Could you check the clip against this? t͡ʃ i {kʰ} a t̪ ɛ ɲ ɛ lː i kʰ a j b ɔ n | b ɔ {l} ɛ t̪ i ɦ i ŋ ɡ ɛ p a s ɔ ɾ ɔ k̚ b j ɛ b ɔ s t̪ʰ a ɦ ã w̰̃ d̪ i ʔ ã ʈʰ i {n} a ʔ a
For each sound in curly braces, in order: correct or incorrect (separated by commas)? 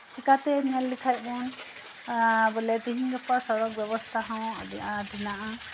incorrect, correct, correct